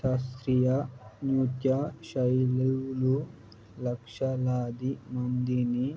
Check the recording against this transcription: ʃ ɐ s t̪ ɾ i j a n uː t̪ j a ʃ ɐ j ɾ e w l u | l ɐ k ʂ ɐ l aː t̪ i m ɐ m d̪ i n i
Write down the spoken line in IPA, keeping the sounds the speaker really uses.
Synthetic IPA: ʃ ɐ s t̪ ɾ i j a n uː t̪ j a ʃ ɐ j l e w l u | l ɐ k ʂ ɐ l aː d̪ i m ɐ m d̪ i n i

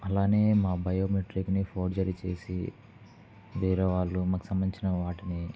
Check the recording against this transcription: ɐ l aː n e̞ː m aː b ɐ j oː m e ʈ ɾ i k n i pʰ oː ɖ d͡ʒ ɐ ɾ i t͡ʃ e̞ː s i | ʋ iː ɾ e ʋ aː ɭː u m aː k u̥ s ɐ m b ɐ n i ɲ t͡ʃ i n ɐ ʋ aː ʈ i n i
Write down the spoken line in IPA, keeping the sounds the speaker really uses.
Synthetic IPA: ɐ l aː n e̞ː m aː b ɐ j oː m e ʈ ɾ i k n i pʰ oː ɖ d͡ʒ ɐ ɾ i t͡ʃ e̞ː s i | ʋ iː ɾ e ʋ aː ɭː u m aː k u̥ s ɐ m b ɐ n i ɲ t͡ʃ i n ɐ ʋ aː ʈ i n i

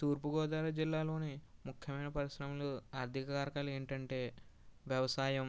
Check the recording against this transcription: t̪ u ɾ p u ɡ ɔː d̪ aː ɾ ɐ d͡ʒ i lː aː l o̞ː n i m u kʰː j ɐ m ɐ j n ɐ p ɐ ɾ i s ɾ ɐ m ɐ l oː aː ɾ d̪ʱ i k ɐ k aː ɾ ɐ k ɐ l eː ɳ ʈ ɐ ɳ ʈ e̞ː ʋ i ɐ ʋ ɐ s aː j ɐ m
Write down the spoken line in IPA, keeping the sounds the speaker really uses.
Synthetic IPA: t̪ uː ɾ p u ɡ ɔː d̪ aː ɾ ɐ d͡ʒ i lː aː l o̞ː n i m u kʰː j ɐ m ɐ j n ɐ p ɐ ɾ i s ɾ ɐ m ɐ l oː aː ɾ d̪ʱ i k ɐ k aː ɾ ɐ k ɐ l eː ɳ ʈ ɐ ɳ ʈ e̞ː ʋ j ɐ ʋ ɐ s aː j ɐ m

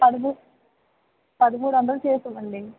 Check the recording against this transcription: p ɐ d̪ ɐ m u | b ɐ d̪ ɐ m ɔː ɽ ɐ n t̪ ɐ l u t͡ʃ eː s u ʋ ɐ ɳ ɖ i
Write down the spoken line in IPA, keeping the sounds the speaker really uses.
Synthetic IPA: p ɐ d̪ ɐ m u | p ɐ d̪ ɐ m uː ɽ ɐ n d̪ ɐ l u t͡ʃ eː s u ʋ ɐ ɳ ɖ i

